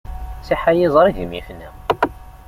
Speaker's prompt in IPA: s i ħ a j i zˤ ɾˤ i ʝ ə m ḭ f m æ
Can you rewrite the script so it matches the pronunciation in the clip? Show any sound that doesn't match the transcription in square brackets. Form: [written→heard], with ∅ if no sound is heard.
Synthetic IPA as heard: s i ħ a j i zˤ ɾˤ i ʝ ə m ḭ f [m→n] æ